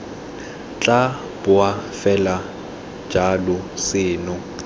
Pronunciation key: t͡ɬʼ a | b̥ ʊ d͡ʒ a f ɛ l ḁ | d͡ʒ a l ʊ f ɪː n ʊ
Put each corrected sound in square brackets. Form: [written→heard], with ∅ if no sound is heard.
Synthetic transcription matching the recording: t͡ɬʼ a | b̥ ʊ [d͡ʒ→∅] a f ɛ l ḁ | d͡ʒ a l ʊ [f→s] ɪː n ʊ